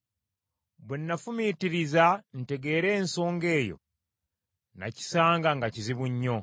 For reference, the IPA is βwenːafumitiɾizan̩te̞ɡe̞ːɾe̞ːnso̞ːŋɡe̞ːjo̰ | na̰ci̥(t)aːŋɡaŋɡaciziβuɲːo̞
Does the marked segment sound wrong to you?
yes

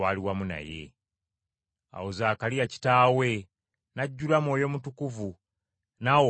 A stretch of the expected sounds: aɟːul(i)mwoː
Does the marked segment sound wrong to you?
yes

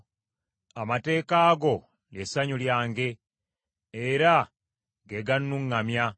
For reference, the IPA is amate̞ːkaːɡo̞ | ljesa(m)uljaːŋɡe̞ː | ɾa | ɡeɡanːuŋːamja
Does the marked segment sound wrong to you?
yes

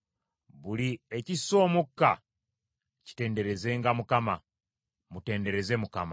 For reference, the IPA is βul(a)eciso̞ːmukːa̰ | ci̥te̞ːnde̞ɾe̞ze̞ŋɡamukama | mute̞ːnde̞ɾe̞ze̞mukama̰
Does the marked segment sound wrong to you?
yes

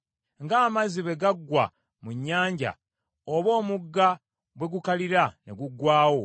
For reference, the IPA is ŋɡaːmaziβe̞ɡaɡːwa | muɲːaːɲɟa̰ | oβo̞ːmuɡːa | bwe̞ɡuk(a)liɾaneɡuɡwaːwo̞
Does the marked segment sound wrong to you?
no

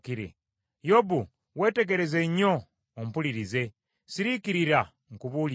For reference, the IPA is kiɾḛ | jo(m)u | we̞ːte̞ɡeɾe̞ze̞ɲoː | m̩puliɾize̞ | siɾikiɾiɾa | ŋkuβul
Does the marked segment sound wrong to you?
yes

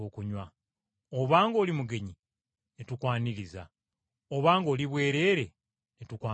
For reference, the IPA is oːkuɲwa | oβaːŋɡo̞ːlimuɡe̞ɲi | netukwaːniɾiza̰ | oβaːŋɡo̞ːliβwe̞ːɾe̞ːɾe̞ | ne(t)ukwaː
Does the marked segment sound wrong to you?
no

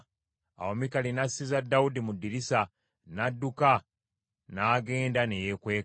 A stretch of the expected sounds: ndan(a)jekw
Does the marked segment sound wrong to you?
yes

